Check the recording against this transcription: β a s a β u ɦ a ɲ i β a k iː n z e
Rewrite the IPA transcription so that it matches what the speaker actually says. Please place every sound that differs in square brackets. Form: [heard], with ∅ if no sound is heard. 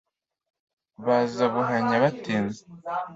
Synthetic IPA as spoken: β a [z] a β u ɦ a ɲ [a] β a [t] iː n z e

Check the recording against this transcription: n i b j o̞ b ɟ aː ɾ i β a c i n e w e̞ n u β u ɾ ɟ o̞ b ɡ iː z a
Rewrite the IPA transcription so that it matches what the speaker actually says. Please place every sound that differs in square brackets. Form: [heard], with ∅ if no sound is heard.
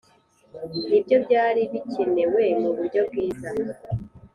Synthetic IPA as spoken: n i b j o̞ b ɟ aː ɾ i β [i] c i n e w e̞ [m] u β u ɾ ɟ o̞ b ɡ iː z a

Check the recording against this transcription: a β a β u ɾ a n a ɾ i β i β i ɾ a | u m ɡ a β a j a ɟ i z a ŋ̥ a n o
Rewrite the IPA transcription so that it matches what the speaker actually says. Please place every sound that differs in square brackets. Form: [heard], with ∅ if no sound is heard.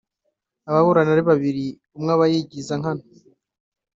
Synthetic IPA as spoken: a β a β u ɾ a n a ɾ i β [a] β i ɾ [i] | u m [ŋ] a β a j [i] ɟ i z a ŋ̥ a n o

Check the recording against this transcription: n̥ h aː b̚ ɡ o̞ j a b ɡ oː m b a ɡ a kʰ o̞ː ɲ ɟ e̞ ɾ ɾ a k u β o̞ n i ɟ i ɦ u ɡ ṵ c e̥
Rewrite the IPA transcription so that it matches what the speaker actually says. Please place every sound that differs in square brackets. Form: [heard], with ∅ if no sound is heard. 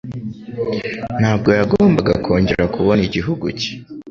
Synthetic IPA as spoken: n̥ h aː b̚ ɡ o̞ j a [∅] ɡ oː m b a ɡ a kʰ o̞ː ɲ ɟ e̞ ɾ ɾ a k u β o̞ n i ɟ i ɦ u ɡ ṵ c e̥

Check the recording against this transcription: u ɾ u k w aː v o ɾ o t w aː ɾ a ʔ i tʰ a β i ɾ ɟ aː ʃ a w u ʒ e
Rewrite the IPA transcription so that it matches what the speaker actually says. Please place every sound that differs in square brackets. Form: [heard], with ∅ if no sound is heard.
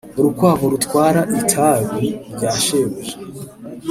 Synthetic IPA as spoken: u ɾ u k w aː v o ɾ [u] t w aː ɾ a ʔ i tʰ a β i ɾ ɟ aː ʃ [e] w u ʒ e

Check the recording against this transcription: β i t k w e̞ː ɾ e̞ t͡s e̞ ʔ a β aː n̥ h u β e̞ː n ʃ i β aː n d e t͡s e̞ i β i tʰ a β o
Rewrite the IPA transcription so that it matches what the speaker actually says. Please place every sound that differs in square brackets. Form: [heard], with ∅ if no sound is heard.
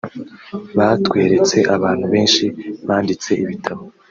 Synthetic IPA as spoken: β [a] t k w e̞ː ɾ e̞ t͡s e̞ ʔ a β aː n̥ h u β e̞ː n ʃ i β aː n d [i] t͡s e̞ i β i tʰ a β o

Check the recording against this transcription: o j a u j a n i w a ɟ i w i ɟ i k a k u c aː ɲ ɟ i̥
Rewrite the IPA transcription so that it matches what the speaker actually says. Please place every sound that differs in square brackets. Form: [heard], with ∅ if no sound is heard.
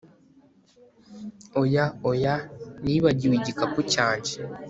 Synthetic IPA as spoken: o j a [o] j a n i [β] a ɟ i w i ɟ i k a k u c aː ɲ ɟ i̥

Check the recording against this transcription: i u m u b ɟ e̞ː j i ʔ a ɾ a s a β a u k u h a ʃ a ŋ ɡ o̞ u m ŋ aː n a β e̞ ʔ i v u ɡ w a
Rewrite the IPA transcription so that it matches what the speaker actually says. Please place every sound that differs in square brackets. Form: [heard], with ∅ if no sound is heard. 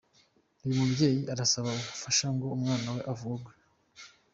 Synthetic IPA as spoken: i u m u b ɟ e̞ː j i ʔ a ɾ a s a β a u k u [f] a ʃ a ŋ ɡ o̞ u m ŋ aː n a [w] e̞ ʔ [a] v u ɡ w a

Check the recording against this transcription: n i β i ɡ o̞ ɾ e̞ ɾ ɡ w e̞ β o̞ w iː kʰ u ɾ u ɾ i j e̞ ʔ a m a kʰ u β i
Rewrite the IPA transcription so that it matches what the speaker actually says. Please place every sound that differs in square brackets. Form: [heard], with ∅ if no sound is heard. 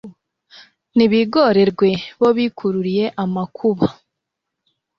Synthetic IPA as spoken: n i β i ɡ o̞ ɾ e̞ ɾ ɡ w e̞ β o̞ [β] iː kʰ u ɾ u ɾ i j e̞ ʔ a m a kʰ u β [a]

